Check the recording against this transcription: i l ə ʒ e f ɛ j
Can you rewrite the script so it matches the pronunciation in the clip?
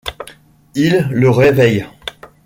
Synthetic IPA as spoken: i lː ə ʁ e v ɛ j